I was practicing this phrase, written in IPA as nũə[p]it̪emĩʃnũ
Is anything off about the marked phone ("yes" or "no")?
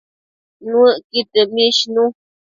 yes